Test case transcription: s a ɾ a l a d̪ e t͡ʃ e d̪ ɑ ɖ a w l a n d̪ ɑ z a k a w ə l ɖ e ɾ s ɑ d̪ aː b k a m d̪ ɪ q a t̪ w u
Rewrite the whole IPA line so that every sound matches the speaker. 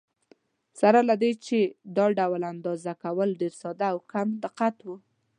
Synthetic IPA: s a ɾ a l a d̪ e t͡ʃ e d̪ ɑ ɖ a w l a n d̪ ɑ z a k a w ə l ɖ e ɾ s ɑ d̪ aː w k a m d̪ ɪ q a t̪ w u